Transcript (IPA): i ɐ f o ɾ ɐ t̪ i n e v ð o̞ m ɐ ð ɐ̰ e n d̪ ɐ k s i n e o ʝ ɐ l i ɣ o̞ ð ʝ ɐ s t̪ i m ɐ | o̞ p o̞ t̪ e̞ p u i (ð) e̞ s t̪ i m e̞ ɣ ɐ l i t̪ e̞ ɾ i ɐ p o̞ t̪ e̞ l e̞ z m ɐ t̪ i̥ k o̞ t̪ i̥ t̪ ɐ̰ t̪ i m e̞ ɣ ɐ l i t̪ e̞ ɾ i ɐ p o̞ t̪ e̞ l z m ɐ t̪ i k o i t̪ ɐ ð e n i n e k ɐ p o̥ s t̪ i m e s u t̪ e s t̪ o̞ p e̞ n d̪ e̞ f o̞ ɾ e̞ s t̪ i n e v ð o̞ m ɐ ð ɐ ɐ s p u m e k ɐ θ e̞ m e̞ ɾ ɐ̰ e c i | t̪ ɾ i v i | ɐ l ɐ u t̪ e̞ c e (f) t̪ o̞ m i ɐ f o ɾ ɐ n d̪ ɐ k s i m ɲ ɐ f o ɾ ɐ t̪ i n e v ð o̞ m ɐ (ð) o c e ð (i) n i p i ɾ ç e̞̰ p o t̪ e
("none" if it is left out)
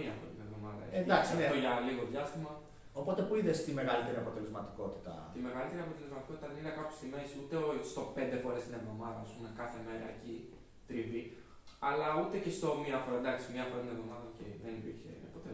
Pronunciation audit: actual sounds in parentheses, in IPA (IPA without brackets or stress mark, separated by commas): ð, s, ð, e